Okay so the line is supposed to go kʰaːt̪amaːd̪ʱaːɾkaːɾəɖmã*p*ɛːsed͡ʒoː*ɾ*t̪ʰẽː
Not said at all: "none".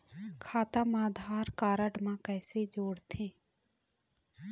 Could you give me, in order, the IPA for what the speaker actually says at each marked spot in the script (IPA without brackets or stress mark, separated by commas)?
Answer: k, ɽ